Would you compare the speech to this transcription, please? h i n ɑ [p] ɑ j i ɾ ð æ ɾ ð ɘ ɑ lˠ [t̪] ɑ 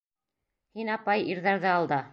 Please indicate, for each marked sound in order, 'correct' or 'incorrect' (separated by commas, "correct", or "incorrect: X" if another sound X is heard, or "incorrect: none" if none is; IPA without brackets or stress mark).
correct, incorrect: d̪